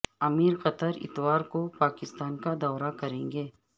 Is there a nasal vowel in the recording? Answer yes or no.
yes